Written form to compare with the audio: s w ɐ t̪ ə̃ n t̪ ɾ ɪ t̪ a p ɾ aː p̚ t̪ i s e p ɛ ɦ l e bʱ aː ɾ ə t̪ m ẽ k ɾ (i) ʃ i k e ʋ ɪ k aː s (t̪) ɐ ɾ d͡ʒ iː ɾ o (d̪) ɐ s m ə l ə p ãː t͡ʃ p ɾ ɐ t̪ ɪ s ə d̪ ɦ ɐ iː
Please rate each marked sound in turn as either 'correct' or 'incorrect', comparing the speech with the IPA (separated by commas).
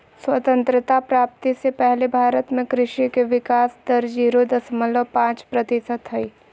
incorrect, incorrect, correct